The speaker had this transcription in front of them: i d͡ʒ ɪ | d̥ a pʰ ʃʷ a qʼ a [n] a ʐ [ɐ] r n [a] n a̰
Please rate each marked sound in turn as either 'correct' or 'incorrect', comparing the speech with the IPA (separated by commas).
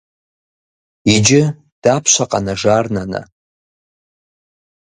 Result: correct, incorrect, correct